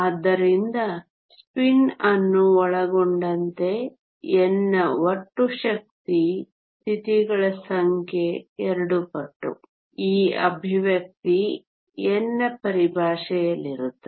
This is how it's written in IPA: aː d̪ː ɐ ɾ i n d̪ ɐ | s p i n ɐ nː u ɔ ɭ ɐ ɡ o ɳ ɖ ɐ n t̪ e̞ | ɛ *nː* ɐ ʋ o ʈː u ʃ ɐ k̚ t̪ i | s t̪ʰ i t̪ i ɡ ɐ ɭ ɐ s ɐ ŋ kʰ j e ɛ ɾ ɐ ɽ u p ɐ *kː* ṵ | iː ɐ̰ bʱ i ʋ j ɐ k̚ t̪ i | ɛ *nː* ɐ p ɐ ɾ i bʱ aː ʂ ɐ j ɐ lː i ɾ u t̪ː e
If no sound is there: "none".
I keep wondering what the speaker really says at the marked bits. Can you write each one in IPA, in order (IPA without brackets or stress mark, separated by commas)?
nː, ʈː, nː